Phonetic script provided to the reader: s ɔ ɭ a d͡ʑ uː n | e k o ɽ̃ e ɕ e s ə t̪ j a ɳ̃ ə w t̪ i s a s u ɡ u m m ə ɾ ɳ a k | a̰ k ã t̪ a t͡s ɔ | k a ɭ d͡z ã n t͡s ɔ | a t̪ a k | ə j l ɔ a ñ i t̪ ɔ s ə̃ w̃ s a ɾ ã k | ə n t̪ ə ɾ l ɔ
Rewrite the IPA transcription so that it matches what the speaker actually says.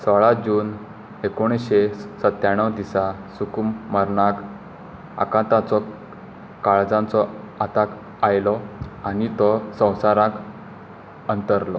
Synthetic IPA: s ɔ ɭ a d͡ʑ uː n | e k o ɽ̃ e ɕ e s ə t̪ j a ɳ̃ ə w d̪ i s a s u k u m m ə ɾ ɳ a k | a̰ k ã t̪ a t͡s ɔ | k a ɭ d͡z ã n t͡s ɔ | a t̪ a k | a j l ɔ a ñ i t̪ ɔ s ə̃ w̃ s a ɾ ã k | ə n t̪ ə ɾ l ɔ